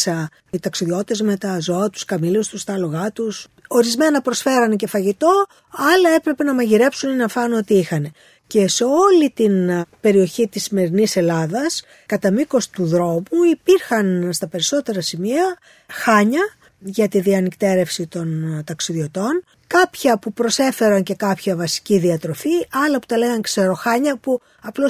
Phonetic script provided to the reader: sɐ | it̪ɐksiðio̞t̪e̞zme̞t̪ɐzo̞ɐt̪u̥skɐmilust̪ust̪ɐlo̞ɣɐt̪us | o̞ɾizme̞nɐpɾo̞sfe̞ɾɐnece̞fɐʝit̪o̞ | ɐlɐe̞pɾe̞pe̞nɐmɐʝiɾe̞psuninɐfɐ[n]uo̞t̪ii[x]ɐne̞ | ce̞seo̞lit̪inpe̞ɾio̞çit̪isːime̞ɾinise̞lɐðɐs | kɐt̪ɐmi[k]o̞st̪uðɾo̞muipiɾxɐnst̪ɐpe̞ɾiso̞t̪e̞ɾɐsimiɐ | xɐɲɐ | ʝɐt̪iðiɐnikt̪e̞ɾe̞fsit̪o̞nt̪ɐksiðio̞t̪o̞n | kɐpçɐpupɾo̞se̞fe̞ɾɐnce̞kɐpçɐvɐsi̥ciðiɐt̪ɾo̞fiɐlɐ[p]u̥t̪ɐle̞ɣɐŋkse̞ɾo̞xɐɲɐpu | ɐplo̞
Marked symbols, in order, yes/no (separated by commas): yes, yes, yes, yes